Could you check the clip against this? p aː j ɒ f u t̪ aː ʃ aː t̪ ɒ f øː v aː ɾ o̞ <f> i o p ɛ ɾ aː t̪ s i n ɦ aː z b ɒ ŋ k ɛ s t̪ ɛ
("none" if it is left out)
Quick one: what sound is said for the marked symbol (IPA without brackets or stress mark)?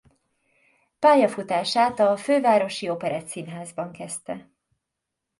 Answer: ʃ